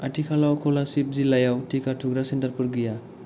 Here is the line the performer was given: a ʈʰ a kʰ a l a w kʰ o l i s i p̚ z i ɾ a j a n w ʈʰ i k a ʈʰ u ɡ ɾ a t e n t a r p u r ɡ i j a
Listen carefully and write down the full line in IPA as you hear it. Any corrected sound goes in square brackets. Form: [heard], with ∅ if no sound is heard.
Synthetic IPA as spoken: a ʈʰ [i] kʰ a l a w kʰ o l [a] s i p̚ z i [l] a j a [∅] w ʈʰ i k a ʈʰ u ɡ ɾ a [s] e n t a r p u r ɡ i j a